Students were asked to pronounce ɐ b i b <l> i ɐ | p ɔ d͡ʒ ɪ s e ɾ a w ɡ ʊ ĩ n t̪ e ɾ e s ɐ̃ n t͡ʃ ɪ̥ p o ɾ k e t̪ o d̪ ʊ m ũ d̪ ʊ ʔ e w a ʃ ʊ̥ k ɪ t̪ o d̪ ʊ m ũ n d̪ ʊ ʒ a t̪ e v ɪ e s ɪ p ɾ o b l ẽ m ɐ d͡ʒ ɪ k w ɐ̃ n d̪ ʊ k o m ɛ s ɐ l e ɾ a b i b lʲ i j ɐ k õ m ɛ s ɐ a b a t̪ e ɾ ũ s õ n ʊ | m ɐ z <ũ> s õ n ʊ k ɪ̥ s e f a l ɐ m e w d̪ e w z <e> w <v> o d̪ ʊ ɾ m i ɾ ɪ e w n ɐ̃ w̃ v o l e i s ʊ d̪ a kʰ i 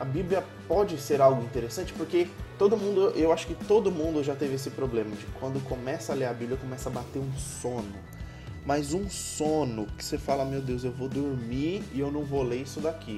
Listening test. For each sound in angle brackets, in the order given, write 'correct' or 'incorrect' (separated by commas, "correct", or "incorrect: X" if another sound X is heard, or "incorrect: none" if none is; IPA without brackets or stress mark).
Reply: correct, correct, correct, correct